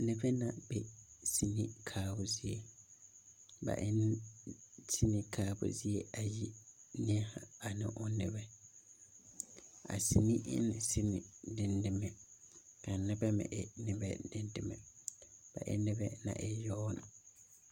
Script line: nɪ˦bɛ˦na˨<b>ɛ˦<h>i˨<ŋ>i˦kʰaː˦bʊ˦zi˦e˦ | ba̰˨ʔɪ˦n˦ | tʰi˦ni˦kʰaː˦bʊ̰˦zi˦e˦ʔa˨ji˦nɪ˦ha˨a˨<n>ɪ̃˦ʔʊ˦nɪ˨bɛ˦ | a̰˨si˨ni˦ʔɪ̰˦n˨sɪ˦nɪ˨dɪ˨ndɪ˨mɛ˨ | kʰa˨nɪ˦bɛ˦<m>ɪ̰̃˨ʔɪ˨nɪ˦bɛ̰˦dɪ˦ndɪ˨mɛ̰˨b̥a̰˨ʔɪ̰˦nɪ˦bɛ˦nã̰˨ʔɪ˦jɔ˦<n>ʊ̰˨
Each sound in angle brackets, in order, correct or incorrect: correct, incorrect: s, incorrect: n, correct, correct, correct

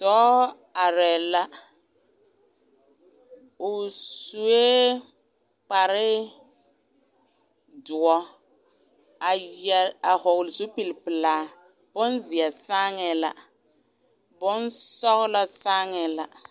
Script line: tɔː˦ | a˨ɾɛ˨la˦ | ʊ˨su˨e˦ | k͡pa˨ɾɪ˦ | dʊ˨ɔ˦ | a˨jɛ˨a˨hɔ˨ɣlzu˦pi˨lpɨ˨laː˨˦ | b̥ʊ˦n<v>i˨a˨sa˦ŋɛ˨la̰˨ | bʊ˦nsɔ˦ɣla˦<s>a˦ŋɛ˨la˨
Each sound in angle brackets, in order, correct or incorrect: incorrect: z, correct

